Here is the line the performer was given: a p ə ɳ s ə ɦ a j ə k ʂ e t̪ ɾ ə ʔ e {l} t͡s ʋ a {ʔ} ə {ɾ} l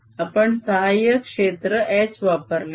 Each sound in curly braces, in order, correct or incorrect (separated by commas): incorrect, incorrect, correct